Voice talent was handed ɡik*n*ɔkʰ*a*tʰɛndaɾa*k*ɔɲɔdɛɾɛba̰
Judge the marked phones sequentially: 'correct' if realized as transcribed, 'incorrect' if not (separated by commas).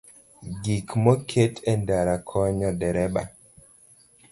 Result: incorrect, incorrect, incorrect